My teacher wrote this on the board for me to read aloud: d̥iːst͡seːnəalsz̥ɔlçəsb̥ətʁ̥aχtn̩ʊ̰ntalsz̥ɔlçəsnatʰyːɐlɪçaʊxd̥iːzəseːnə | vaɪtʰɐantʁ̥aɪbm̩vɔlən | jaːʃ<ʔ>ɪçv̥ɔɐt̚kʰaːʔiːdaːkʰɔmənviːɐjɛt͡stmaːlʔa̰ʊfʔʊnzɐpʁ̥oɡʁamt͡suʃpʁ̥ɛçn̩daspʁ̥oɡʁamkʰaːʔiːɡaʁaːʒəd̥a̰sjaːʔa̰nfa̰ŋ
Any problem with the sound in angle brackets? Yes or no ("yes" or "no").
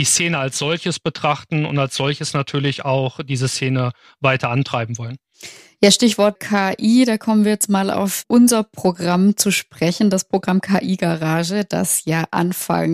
yes